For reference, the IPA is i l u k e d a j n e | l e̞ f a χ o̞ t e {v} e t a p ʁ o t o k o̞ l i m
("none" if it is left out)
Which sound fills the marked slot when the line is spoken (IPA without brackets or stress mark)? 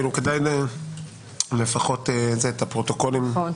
z